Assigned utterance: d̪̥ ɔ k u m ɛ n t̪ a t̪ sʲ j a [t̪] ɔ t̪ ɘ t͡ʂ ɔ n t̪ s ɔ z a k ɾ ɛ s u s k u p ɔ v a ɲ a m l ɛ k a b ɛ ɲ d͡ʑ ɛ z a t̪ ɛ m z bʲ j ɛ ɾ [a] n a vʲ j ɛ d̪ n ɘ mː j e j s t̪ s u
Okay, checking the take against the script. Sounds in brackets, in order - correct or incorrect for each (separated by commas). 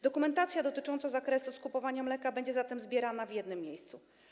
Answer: incorrect, correct